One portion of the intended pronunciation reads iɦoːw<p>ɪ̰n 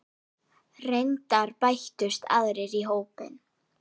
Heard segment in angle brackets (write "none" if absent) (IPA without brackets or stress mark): p